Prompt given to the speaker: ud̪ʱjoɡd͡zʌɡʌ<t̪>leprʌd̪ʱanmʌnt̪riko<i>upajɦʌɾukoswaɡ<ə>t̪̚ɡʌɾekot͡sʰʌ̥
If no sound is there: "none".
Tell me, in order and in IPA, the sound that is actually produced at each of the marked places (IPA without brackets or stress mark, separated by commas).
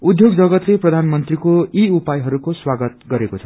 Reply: t̪, i, ʌ